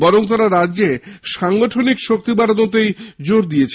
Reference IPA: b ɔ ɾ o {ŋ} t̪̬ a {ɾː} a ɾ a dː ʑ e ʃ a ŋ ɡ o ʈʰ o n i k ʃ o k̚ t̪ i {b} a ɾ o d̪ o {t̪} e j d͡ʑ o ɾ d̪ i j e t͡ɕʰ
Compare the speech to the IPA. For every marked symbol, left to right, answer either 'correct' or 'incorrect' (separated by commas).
correct, incorrect, correct, correct